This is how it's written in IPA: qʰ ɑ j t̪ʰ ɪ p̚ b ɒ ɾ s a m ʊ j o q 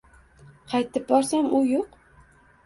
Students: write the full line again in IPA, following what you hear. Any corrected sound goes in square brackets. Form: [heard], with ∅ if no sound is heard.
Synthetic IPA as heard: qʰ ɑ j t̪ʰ ɪ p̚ b ɒ ɾ s a m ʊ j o q